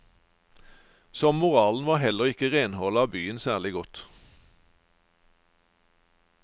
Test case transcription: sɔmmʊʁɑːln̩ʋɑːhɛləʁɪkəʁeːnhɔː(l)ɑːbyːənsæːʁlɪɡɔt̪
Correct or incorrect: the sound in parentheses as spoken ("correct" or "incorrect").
correct